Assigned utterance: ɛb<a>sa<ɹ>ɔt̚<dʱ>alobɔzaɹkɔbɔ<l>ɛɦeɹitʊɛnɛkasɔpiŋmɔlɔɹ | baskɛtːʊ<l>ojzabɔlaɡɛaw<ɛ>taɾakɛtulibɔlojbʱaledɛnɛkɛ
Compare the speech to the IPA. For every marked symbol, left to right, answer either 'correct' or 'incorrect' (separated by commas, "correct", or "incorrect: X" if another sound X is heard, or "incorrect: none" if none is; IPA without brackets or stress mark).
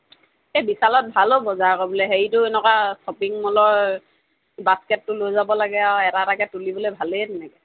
incorrect: i, incorrect: l, incorrect: bʱ, correct, correct, correct